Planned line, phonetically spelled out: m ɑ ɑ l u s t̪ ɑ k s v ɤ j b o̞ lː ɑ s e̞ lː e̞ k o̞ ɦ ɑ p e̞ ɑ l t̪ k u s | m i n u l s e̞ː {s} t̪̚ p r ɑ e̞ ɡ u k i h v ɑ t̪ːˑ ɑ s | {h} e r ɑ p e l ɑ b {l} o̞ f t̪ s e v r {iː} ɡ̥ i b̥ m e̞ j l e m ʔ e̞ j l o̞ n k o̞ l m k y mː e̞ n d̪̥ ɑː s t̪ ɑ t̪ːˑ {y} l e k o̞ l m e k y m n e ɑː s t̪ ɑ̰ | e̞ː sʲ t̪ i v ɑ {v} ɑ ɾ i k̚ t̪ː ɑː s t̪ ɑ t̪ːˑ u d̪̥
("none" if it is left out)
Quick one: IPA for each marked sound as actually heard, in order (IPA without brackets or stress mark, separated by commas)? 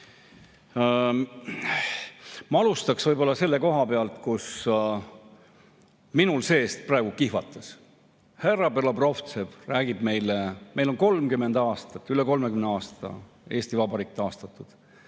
s, h, r, æː, y, b